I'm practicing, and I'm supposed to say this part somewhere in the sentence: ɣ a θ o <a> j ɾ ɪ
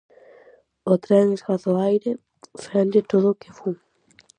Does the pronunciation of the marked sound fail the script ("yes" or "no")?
no